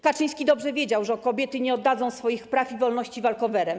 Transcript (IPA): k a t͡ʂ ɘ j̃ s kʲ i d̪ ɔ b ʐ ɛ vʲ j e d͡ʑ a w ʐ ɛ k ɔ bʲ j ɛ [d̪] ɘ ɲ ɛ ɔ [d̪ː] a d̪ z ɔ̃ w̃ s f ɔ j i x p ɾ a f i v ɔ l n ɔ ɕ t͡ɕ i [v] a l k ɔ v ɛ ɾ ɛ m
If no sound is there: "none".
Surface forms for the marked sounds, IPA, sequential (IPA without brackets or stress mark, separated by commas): t̪, d̪ː, v